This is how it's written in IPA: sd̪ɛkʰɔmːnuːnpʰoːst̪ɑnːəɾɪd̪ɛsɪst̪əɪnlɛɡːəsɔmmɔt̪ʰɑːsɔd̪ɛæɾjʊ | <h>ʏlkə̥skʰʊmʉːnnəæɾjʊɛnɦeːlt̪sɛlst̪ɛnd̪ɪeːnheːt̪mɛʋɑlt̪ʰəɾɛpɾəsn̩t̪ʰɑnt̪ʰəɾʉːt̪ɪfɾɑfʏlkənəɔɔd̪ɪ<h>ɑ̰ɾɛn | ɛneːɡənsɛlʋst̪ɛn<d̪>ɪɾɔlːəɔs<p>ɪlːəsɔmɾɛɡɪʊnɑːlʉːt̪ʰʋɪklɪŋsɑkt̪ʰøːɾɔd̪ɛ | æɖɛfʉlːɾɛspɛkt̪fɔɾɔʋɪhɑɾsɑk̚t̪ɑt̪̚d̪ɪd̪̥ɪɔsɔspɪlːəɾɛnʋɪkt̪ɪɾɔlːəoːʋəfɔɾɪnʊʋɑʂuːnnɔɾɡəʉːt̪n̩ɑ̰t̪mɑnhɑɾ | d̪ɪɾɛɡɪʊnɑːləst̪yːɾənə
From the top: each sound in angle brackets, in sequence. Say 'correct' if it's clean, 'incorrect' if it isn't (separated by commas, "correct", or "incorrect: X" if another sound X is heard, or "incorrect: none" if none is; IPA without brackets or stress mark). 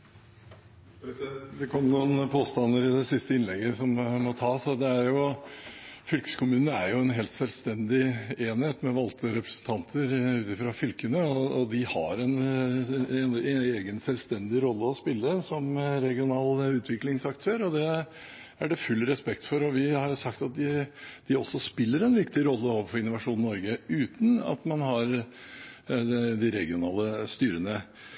incorrect: f, correct, correct, correct